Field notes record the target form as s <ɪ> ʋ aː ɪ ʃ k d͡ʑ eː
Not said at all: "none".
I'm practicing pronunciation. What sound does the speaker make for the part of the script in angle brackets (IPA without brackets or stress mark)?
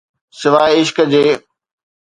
ɪ